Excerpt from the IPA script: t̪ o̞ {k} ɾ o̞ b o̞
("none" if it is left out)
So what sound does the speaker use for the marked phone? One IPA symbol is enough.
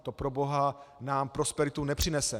p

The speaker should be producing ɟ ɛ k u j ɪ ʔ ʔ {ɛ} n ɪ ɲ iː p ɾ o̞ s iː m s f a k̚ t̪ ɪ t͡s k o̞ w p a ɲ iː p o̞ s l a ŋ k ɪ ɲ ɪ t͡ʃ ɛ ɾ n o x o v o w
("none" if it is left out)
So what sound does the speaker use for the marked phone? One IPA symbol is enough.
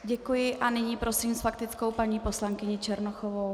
a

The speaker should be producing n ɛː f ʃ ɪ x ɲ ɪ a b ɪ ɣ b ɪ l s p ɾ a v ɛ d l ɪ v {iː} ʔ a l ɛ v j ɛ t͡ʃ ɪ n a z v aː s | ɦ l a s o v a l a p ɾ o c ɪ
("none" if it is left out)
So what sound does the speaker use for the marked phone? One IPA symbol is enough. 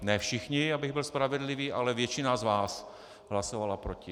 iː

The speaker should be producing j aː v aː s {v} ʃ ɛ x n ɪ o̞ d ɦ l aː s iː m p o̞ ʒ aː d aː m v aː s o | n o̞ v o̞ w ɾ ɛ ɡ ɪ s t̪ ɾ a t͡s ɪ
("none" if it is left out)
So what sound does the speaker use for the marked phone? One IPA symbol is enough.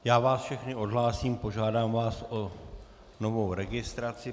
f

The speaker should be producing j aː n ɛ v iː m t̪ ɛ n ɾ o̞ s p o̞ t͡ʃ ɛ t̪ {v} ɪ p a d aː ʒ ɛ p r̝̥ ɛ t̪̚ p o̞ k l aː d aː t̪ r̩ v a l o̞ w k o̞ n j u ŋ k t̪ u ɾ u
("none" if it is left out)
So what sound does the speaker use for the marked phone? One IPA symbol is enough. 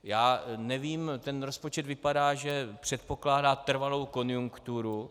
v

